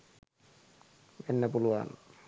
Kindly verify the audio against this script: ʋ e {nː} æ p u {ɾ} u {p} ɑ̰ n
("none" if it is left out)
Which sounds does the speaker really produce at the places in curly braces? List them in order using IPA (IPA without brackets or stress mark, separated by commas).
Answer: nː, l, none